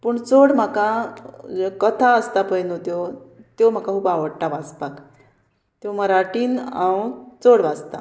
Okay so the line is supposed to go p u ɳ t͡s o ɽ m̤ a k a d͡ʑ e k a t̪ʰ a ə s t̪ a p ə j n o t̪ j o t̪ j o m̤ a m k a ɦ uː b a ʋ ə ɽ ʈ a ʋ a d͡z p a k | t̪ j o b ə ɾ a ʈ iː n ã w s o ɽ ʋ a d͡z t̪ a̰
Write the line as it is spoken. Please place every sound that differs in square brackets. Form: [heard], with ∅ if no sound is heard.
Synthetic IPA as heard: p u ɳ t͡s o ɽ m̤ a k a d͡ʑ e k [ə] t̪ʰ a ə s t̪ a p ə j n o t̪ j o t̪ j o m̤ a [∅] k a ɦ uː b a ʋ ə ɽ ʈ a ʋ a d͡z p a k | t̪ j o [m] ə ɾ a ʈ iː n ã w [t͡s] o ɽ ʋ a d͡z t̪ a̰